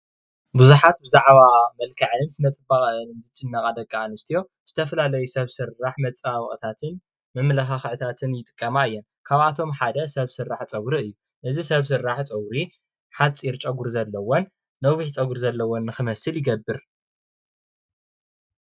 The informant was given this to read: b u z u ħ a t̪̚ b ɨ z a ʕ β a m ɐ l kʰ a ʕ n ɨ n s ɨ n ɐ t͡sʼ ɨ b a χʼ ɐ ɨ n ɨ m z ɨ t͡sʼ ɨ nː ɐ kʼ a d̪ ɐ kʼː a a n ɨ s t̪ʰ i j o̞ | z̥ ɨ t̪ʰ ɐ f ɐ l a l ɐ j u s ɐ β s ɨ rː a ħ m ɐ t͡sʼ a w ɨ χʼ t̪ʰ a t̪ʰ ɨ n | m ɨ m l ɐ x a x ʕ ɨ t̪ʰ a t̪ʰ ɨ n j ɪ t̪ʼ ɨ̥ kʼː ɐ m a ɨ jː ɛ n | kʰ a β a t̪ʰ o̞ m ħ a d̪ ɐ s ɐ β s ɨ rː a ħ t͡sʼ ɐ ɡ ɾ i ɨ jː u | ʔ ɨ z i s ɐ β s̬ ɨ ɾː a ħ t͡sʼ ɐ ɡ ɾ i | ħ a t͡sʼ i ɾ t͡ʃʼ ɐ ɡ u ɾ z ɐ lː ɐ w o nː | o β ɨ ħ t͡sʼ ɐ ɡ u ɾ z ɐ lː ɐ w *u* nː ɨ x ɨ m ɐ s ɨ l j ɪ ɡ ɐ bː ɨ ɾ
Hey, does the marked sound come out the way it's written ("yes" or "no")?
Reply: no